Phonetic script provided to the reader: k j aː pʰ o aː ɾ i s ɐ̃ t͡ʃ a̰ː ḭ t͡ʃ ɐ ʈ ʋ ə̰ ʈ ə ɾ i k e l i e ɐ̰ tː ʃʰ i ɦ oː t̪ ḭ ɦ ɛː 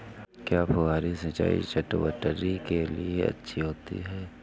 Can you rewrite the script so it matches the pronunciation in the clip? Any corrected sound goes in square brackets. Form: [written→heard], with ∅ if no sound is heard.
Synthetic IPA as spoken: k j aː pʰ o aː ɾ i s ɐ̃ t͡ʃ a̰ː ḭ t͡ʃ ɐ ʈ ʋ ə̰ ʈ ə ɾ i k e l i e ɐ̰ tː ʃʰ i ɦ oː t̪ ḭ ɦ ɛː